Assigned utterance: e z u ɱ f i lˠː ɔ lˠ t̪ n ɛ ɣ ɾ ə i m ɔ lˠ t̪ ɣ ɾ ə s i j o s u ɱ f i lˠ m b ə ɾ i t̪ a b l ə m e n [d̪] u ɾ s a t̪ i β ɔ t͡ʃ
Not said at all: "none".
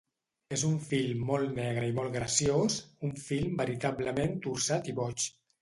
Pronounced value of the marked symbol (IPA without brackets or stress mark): t̪